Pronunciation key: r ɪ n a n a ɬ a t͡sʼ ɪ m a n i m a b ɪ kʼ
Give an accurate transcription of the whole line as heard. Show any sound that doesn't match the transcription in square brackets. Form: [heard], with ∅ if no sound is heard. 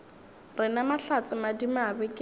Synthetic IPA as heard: r ɪ n a [m] a ɬ a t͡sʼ ɪ m a [d] i m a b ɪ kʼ